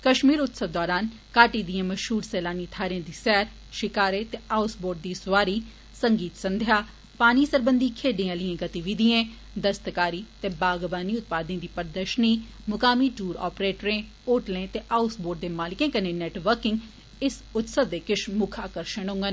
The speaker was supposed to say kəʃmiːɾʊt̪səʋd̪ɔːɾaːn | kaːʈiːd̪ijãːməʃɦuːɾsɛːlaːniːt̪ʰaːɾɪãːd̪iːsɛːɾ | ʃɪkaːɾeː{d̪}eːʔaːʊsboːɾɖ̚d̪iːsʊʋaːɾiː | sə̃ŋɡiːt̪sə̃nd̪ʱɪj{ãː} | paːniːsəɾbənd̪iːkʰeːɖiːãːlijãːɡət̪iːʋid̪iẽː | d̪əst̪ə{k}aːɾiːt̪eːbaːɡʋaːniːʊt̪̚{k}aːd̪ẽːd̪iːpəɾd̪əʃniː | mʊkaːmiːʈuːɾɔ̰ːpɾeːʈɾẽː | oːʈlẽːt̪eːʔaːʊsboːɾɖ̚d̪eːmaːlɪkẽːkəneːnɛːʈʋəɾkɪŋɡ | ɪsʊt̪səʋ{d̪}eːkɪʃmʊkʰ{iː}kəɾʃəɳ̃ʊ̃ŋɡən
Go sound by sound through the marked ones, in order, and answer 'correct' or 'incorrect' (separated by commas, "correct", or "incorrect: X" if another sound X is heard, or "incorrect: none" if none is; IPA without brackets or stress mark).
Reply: incorrect: t̪, incorrect: aː, correct, incorrect: p, correct, incorrect: aː